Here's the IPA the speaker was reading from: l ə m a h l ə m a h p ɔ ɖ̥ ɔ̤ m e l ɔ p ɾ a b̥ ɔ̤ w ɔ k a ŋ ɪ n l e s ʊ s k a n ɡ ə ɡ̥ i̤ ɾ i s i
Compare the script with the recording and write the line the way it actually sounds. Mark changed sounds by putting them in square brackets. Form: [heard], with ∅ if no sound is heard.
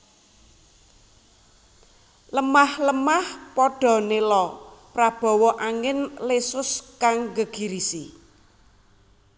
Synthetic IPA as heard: l ə m a h l ə m a h p ɔ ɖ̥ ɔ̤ [n] e l ɔ p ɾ a b̥ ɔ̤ w ɔ [ʔ] a ŋ ɪ n l e s ʊ s k a [ŋ] ɡ ə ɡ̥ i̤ ɾ i s i